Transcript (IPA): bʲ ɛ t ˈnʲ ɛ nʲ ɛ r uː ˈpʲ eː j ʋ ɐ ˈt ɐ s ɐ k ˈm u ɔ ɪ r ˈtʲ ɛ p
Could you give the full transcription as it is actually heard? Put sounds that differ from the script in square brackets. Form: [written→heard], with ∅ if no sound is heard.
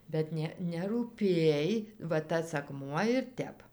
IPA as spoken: bʲ ɛ t ˈnʲ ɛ nʲ ɛ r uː ˈpʲ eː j ʋ ɐ ˈt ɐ s ɐ k ˈm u ɔ ɪ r ˈtʲ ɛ p